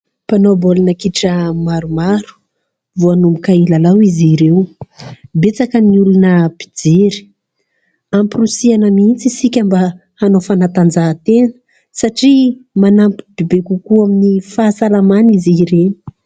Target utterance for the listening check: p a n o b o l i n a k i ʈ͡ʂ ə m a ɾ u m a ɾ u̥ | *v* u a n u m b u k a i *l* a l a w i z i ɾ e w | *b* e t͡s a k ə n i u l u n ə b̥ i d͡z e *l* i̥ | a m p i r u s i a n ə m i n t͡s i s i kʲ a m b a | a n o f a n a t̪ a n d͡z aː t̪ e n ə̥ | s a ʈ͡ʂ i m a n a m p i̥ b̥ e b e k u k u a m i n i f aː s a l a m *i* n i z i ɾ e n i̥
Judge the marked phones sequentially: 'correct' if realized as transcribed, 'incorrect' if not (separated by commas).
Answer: correct, correct, correct, incorrect, incorrect